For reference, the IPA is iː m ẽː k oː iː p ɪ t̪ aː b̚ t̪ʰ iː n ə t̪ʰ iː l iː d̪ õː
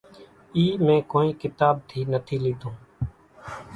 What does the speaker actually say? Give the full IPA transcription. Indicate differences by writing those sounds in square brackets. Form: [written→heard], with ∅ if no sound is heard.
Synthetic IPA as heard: iː m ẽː k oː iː [p→k] ɪ t̪ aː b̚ t̪ʰ iː n ə t̪ʰ iː l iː d̪ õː